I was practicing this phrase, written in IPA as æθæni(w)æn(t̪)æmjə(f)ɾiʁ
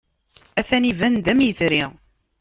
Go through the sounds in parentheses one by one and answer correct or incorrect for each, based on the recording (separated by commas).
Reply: incorrect, incorrect, incorrect